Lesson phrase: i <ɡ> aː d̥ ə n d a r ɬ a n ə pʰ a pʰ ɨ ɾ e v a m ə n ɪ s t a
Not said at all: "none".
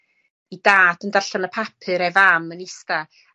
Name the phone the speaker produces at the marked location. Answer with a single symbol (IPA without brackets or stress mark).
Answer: d